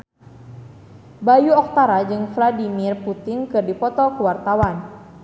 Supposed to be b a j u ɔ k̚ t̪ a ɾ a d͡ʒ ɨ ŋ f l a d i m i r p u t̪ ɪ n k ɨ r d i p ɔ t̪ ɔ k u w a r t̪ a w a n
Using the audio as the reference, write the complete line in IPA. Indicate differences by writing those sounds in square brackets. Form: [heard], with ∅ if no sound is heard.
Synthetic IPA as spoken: b a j u ɔ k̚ t̪ a ɾ a d͡ʒ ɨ ŋ f l a d i m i r p u t̪ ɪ [ŋ] k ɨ r d i p ɔ t̪ ɔ k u w a r t̪ a w a n